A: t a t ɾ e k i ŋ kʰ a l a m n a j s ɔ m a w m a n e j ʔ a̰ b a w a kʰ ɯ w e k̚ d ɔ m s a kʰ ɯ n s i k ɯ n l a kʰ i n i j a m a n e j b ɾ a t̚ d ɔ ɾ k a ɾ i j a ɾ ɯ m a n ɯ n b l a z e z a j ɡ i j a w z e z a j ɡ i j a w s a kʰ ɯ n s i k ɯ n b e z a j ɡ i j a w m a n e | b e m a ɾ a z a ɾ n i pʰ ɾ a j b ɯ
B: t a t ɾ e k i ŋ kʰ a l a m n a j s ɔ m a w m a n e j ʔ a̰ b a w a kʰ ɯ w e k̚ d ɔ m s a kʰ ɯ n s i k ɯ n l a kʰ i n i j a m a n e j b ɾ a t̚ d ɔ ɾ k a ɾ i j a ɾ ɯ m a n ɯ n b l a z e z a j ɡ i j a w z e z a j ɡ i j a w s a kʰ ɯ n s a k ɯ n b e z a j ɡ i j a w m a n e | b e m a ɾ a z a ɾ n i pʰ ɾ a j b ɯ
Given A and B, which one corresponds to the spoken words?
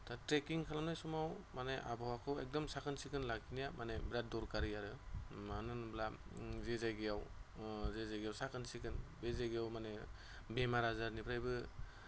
A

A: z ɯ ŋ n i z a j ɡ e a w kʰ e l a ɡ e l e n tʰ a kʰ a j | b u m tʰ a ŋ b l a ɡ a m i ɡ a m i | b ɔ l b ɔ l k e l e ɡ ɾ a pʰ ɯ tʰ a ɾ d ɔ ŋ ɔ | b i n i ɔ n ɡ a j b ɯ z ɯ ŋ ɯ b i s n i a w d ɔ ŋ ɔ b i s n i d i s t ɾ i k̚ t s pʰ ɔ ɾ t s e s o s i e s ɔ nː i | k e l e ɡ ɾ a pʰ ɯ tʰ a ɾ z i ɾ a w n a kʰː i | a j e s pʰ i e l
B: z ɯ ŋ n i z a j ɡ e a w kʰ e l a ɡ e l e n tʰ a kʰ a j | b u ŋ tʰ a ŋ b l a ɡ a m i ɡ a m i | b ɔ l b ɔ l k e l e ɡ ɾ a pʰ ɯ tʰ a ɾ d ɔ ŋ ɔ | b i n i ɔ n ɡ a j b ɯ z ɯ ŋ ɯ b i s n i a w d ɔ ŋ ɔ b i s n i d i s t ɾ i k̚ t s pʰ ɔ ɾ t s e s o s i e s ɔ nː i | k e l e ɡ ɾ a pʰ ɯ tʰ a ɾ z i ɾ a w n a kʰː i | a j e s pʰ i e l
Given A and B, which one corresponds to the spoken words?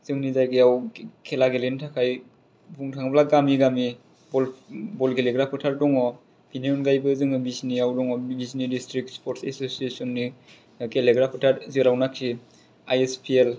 B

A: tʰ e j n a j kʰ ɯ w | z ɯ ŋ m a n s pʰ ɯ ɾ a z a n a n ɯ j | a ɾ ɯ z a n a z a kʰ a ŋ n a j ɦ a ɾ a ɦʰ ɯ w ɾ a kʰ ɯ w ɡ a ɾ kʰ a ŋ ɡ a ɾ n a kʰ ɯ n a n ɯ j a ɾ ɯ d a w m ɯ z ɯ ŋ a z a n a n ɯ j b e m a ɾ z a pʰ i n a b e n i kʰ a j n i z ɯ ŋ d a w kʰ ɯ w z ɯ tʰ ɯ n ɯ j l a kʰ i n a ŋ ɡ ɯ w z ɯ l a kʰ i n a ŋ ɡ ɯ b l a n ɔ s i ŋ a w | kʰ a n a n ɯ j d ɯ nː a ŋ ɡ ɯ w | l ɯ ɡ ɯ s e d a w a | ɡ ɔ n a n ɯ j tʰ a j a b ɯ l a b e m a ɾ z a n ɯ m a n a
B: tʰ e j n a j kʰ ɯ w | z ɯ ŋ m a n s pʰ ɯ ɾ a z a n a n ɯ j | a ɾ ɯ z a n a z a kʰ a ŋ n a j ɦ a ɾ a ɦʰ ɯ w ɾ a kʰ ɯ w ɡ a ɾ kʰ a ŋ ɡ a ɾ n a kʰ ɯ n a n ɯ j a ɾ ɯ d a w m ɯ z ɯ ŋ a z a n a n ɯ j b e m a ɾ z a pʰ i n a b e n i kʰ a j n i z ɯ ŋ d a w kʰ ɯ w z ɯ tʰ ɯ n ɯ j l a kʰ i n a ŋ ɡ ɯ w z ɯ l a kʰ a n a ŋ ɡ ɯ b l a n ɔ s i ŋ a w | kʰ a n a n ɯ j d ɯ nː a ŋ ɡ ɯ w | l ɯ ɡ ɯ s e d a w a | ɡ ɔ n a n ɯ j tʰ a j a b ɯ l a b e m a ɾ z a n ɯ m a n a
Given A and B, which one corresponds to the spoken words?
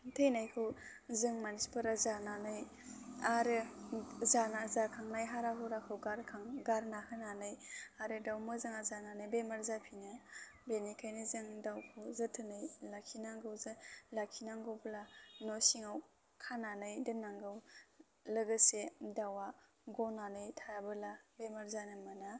A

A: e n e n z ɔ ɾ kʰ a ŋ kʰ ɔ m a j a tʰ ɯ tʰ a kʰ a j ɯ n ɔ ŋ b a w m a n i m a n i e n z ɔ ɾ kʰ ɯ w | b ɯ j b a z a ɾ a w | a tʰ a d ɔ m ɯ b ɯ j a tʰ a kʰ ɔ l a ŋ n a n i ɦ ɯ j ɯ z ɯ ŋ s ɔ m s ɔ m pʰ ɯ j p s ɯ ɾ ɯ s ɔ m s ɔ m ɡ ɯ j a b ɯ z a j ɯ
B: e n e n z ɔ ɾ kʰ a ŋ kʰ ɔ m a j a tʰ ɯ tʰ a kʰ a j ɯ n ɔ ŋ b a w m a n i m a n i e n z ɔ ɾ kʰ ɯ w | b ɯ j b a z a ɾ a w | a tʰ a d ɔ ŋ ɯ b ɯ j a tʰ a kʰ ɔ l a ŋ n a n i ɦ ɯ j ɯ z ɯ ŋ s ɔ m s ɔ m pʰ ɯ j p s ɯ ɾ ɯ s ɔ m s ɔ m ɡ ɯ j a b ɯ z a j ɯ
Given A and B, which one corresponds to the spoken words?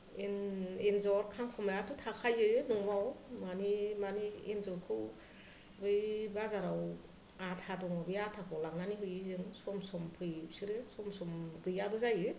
B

